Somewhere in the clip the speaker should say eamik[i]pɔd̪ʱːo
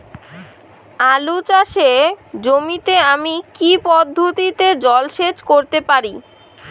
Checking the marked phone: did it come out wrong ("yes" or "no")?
no